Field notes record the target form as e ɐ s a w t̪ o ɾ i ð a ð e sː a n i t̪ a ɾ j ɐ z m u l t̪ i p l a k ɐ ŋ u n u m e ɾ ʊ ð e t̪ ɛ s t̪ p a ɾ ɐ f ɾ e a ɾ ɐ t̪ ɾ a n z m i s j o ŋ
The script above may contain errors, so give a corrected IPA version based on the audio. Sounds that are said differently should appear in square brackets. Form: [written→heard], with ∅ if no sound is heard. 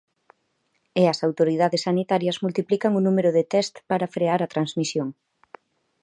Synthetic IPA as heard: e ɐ s a w t̪ o ɾ i ð a ð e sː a n i t̪ a ɾ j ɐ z m u l t̪ i p l [a→i] k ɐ ŋ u n u m e ɾ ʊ ð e t̪ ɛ s t̪ p a ɾ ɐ f ɾ e a ɾ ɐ t̪ ɾ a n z m i s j o ŋ